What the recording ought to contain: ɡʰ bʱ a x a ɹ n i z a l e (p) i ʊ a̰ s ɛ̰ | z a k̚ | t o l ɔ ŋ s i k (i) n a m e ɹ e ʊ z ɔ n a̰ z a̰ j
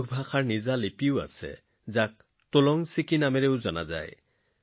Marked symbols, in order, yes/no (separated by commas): yes, yes